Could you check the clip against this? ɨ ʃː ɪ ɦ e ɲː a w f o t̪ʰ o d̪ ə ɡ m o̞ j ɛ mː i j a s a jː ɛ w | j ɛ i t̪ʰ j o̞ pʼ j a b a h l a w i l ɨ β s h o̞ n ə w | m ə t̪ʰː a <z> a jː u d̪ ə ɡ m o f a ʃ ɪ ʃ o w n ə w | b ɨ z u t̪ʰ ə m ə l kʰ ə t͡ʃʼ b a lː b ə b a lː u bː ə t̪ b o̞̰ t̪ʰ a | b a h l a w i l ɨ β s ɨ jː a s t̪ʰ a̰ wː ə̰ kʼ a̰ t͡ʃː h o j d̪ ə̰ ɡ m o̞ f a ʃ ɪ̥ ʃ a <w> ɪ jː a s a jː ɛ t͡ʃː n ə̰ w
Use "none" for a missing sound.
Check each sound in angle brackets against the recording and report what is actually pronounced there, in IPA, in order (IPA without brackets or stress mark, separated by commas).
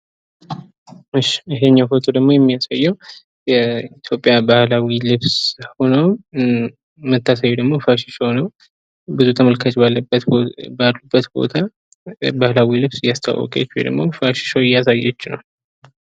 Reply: s, w